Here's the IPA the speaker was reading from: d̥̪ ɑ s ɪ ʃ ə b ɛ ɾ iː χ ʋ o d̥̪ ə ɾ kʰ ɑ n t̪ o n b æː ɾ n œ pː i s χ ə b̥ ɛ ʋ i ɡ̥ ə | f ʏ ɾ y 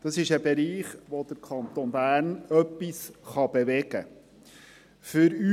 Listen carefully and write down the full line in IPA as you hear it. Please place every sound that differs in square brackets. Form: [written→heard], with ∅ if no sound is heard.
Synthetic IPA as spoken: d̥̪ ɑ s ɪ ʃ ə b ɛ ɾ iː χ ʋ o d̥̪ ə ɾ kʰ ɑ n t̪ o n b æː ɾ n œ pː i s χ [ə→ɑ] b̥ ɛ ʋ [i→ɛ] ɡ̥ ə | f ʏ ɾ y